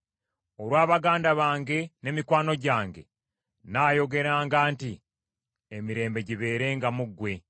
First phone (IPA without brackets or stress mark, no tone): o̞